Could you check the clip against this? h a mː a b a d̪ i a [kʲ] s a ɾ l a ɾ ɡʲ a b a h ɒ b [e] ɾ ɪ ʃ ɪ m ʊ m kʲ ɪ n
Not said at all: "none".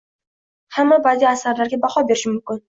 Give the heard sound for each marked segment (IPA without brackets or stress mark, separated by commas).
none, e